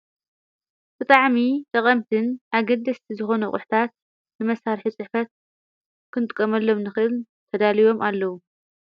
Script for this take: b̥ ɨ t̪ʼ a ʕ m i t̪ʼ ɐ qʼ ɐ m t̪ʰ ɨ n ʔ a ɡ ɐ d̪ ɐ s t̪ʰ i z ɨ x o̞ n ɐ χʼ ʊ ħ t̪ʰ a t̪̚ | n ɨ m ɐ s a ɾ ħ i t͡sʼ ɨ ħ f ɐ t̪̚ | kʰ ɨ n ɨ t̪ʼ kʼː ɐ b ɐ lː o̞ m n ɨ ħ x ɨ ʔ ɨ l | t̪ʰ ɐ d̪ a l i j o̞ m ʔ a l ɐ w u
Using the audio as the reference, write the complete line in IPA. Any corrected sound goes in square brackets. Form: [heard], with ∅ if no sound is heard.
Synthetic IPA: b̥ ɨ t̪ʼ a ʕ m i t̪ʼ ɐ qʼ ɐ m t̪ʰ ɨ n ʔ a ɡ ɐ d̪ ɐ s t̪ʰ i z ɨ x o̞ n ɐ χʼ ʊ ħ t̪ʰ a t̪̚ | n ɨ m ɐ s a ɾ ħ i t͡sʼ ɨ ħ f ɐ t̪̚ | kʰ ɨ n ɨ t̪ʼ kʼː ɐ [m] ɐ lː o̞ m n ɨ [∅] x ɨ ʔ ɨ l | t̪ʰ ɐ d̪ a l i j o̞ m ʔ a [lː] ɐ w u